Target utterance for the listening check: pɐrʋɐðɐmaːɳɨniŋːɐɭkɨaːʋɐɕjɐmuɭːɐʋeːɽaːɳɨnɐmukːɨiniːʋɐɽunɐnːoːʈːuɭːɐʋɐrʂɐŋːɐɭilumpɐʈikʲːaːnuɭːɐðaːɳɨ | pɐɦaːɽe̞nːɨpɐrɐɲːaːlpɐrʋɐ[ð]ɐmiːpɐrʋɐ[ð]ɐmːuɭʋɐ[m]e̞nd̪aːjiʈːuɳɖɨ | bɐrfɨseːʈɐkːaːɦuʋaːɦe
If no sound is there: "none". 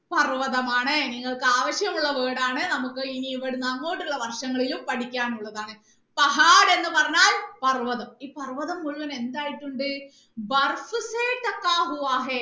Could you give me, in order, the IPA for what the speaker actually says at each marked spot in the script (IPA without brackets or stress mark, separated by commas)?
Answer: ð, ð, n